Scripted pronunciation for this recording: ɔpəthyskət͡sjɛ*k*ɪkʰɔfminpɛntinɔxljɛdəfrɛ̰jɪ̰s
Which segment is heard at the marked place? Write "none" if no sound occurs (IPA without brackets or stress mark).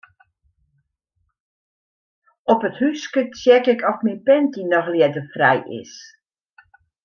k